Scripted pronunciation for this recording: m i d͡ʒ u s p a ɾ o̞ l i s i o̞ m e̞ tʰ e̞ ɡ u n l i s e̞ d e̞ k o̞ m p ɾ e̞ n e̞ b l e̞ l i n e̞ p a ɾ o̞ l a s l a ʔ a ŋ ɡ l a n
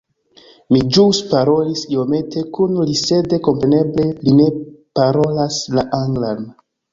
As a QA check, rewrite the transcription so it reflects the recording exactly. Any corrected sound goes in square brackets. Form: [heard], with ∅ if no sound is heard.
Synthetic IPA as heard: m i d͡ʒ u s p a ɾ o̞ l i s i o̞ m e̞ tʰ e̞ [k] u n l i s e̞ d e̞ k o̞ m p ɾ e̞ n e̞ b l e̞ l i n e̞ p a ɾ o̞ l a s l a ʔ a ŋ ɡ l a n